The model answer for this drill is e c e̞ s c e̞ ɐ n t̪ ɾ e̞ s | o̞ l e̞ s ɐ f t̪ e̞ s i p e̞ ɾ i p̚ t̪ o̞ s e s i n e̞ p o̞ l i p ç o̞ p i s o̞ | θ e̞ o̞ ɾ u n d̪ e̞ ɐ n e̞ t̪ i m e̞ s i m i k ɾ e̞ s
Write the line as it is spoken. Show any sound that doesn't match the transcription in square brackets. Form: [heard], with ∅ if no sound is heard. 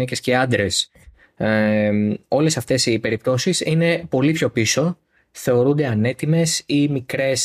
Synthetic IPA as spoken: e c e̞ s c e̞ ɐ n [d̪] ɾ e̞ s | o̞ l e̞ s ɐ f t̪ e̞ s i p e̞ ɾ i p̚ t̪ o̞ s [i] s i n e̞ p o̞ l i p ç o̞ p i s o̞ | θ e̞ o̞ ɾ u n d̪ e̞ ɐ n e̞ t̪ i m e̞ s i m i k ɾ e̞ s